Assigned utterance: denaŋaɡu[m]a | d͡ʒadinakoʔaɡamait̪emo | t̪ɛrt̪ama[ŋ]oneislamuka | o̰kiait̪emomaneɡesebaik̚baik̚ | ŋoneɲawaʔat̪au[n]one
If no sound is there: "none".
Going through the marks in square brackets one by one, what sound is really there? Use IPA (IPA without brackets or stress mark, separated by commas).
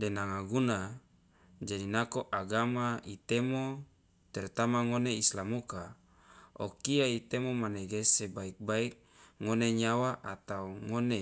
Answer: n, ŋ, ŋ